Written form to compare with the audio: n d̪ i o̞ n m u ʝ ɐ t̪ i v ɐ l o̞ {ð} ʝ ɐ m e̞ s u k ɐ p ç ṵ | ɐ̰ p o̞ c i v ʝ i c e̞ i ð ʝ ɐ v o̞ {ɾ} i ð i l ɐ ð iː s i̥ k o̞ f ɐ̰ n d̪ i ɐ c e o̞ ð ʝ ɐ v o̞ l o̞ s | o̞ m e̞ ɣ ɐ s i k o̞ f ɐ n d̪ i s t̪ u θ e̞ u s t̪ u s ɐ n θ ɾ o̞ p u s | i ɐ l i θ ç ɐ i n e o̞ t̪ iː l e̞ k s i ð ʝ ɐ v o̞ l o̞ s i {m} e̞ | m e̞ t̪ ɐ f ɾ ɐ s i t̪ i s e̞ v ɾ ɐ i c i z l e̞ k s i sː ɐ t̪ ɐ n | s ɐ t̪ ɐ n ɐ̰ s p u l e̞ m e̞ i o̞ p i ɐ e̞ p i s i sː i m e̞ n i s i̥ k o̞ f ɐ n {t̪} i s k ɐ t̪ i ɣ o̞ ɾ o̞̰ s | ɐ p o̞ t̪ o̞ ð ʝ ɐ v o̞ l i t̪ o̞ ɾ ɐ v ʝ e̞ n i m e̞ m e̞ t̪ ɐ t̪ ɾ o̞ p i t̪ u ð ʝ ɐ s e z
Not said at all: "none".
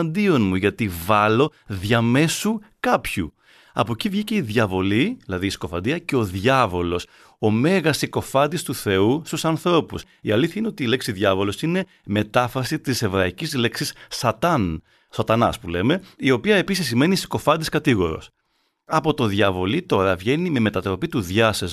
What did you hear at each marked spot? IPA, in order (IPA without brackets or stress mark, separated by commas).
ð, l, n, d̪